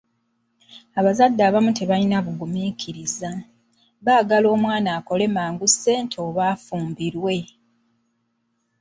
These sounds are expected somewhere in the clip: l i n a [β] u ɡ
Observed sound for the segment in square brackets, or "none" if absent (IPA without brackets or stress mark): β